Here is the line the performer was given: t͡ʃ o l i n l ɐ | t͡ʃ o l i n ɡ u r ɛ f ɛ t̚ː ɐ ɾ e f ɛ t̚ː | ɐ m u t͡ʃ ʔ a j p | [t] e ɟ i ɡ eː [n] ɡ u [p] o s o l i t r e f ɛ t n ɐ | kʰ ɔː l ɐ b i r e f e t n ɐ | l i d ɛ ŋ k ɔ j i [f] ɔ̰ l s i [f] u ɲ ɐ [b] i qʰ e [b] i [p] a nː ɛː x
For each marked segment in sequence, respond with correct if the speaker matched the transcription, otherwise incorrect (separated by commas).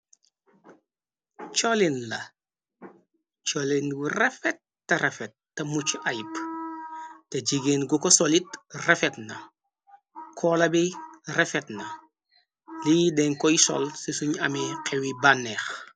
correct, correct, incorrect, incorrect, incorrect, incorrect, incorrect, incorrect